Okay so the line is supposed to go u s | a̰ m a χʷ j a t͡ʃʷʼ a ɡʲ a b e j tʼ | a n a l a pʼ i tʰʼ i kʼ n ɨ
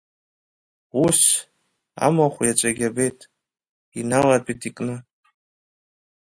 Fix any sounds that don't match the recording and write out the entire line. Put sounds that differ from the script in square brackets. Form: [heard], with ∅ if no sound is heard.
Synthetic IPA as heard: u s | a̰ m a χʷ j a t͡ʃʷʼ a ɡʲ a b e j tʼ | [i] n a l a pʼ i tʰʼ i kʼ n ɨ